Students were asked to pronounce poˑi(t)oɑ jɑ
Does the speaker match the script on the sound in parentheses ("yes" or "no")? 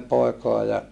no